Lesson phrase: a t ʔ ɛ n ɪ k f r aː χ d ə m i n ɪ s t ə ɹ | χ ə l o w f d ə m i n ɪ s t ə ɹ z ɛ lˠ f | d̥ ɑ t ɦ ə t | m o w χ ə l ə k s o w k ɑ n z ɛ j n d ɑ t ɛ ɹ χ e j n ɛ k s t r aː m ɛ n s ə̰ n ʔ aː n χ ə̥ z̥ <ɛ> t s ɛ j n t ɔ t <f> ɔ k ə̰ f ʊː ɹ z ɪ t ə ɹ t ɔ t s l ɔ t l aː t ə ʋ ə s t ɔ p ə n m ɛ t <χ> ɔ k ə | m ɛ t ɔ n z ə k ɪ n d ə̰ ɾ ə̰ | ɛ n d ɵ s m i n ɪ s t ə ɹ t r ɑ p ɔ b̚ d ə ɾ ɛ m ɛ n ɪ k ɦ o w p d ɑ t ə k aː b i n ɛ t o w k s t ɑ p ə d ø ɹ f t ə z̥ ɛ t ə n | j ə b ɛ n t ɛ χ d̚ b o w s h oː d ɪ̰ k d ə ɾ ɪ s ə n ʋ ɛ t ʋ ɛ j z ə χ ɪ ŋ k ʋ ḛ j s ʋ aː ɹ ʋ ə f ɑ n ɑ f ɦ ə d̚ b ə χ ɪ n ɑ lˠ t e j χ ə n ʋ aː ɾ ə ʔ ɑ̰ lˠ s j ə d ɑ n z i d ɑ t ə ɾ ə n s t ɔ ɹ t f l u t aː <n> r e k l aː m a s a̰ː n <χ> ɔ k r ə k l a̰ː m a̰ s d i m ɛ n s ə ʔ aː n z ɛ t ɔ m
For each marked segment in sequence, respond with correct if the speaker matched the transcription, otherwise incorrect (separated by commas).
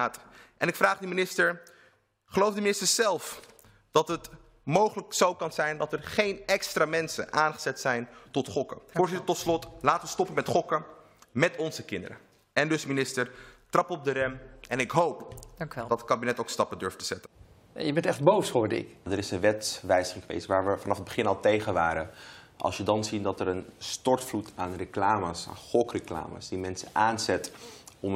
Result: correct, incorrect, correct, correct, correct